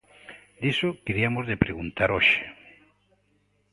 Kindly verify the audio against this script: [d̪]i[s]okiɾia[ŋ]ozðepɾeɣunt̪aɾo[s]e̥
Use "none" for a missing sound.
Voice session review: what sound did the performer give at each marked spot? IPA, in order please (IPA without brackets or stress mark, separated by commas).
d̪, s, m, ʃ